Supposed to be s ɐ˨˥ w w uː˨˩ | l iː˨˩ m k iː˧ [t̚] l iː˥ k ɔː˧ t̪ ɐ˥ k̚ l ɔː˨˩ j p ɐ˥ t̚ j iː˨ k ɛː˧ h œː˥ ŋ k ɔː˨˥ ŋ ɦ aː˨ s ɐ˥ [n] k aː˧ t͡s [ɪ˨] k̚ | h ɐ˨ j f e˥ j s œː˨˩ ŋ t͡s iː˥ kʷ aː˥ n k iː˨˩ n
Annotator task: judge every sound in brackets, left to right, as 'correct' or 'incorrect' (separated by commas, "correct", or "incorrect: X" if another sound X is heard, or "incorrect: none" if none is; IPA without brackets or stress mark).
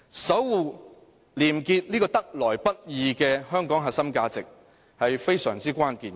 correct, incorrect: m, correct